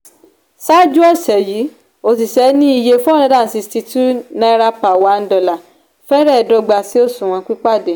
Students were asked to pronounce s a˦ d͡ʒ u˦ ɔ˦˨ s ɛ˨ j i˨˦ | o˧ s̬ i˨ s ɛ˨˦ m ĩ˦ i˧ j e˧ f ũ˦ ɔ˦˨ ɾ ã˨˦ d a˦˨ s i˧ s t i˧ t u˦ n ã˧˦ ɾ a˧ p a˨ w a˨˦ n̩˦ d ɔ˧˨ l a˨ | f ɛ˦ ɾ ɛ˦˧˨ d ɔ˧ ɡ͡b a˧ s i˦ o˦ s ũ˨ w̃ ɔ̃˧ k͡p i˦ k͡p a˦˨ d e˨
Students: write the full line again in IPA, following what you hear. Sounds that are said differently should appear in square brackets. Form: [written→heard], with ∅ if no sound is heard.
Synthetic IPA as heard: s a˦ d͡ʒ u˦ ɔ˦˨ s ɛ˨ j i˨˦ | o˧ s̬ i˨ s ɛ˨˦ [m→n] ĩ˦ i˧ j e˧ f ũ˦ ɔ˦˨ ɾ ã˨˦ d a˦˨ s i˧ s t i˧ t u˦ n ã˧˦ ɾ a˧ p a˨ w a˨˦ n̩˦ d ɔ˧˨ l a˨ | f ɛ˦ ɾ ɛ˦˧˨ d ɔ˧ ɡ͡b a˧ s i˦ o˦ s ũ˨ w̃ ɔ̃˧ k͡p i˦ k͡p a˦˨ d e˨

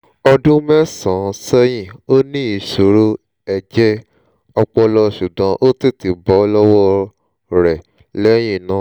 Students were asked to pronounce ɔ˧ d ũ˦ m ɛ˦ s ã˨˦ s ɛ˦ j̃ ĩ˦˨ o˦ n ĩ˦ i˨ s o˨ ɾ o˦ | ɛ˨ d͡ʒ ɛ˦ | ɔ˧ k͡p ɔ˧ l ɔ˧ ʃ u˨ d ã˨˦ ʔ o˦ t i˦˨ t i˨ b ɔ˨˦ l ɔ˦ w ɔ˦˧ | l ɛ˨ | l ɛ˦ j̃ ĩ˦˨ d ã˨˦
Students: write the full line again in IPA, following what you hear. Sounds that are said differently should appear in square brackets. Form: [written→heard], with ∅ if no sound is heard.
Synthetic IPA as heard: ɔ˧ d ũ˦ m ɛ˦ s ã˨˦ s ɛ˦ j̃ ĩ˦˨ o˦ n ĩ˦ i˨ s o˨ ɾ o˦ | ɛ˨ d͡ʒ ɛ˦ | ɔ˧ k͡p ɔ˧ l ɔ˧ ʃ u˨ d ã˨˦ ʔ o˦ t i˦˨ t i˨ b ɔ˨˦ l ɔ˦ w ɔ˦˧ | [l→ɾ] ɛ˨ | l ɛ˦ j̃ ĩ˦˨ [d→n] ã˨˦

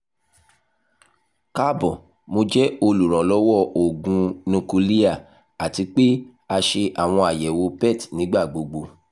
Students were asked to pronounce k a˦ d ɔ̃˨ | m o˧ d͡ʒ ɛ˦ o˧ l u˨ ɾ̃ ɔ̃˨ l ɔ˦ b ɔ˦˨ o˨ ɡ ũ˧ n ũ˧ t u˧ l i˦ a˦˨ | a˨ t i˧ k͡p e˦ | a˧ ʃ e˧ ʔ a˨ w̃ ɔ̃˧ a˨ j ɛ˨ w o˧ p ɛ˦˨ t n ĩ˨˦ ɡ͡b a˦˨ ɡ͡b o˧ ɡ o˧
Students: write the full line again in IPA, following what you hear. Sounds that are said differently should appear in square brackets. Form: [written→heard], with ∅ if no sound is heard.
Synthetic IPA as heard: k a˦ [d→b] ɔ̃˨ | m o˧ d͡ʒ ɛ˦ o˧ l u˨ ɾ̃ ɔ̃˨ l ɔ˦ [b→w] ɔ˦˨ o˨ ɡ ũ˧ n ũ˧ [t→k] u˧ l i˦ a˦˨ | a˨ t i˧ k͡p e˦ | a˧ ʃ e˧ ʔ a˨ w̃ ɔ̃˧ a˨ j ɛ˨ w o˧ p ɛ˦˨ t n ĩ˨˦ ɡ͡b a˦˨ ɡ͡b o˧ [ɡ→ɡ͡b] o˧

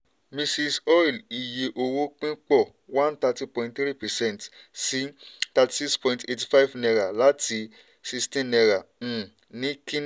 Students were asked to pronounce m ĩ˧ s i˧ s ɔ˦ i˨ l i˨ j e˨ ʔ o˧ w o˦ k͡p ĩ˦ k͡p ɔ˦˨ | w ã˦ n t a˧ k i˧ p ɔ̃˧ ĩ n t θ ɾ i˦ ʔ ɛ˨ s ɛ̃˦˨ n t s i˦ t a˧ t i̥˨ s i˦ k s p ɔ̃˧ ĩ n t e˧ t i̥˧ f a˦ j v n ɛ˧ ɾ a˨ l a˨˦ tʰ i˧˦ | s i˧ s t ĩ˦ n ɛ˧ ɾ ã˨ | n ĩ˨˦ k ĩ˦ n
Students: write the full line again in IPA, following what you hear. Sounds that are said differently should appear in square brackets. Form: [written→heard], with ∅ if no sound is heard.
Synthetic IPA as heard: m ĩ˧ s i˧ s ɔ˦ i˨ l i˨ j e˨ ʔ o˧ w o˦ k͡p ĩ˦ k͡p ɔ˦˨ | w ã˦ n t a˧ [k→t] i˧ p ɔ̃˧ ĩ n t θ ɾ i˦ [ʔ→p] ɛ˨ s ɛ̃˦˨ n t s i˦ t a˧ t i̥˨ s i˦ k s p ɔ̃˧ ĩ n t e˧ t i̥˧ f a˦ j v n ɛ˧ ɾ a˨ l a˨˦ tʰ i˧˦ | s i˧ s t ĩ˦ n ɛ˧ ɾ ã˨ | n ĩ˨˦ k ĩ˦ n

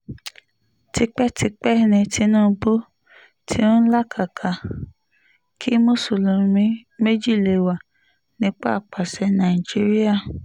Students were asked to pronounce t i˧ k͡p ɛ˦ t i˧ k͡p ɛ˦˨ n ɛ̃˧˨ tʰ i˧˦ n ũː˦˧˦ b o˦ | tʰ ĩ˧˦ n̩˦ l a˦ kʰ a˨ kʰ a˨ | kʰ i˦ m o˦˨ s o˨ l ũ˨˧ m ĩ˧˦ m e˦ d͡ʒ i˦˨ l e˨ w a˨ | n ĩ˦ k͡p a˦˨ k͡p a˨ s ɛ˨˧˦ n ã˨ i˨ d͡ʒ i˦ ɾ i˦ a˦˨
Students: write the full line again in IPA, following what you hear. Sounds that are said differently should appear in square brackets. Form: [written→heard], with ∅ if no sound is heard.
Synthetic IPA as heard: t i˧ k͡p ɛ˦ t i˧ k͡p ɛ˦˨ n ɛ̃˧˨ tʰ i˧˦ n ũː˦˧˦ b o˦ | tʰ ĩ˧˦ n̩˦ l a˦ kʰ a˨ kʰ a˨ | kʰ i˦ m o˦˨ s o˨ l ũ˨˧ m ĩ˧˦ m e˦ d͡ʒ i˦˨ l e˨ w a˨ | n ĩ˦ k͡p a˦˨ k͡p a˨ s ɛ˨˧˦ n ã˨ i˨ d͡ʒ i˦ ɾ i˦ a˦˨

